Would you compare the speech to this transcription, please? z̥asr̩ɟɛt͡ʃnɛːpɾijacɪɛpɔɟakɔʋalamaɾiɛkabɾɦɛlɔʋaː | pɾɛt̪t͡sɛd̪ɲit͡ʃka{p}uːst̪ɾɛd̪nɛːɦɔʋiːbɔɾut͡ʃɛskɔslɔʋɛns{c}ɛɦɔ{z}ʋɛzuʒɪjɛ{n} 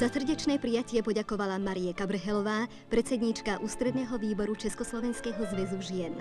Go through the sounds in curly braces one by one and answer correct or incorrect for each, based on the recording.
incorrect: ʔ, incorrect: k, correct, correct

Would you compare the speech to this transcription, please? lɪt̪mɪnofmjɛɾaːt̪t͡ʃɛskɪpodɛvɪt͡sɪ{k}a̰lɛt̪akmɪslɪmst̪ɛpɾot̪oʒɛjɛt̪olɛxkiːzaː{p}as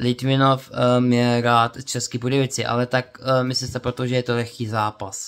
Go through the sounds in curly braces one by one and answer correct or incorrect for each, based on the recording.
incorrect: ʔ, correct

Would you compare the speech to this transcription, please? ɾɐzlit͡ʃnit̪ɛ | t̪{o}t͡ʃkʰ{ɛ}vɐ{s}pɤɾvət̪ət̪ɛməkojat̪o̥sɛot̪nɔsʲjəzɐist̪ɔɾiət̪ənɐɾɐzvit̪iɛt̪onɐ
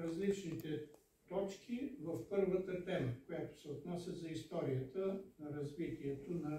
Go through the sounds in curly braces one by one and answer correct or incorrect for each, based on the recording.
incorrect: ɔ, incorrect: i, incorrect: f

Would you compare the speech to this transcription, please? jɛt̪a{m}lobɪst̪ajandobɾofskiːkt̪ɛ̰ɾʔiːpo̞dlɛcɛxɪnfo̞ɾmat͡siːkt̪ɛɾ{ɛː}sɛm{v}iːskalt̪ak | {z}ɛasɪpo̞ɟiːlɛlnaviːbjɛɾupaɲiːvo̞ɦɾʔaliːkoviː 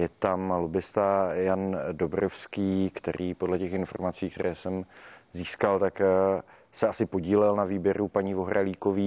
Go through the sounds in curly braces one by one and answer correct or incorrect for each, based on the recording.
correct, correct, incorrect: z, incorrect: s

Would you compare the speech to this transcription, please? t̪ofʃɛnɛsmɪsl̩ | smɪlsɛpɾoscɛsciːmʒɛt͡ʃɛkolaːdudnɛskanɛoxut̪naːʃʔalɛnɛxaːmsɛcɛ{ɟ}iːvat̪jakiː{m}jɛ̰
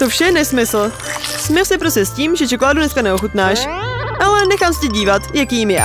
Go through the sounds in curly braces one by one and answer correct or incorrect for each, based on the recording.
correct, correct

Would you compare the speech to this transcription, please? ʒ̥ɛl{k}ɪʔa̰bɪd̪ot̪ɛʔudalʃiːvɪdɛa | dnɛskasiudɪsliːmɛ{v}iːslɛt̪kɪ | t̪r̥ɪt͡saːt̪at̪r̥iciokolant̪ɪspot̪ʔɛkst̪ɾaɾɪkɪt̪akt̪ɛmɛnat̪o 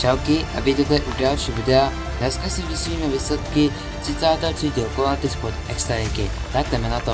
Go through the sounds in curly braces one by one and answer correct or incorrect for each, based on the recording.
correct, correct

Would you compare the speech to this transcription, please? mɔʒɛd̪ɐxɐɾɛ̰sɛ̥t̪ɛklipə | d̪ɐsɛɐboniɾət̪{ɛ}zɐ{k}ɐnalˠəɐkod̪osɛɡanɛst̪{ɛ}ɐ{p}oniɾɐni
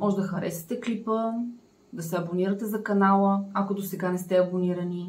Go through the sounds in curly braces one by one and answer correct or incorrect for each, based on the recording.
correct, correct, correct, incorrect: b

